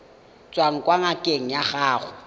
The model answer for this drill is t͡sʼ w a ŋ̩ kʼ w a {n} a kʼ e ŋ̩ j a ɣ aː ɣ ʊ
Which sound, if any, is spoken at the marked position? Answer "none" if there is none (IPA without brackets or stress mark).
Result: ŋ